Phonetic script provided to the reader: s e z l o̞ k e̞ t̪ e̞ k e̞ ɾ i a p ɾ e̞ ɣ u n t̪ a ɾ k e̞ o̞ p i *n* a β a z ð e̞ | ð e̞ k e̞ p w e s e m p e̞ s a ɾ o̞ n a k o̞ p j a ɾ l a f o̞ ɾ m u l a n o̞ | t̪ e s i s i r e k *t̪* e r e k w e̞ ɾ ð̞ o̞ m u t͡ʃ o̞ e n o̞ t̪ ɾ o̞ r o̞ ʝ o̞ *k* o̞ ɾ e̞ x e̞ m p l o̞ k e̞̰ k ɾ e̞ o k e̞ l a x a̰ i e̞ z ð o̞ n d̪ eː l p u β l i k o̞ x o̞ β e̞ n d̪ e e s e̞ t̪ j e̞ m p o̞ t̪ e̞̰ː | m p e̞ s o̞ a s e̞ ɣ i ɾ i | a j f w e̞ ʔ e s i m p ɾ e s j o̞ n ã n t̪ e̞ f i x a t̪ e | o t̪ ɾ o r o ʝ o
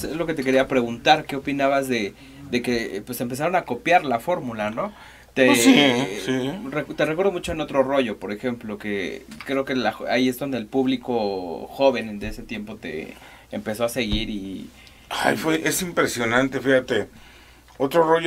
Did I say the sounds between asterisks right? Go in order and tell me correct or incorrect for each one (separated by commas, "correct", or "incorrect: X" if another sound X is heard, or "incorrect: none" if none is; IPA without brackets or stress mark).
correct, correct, incorrect: p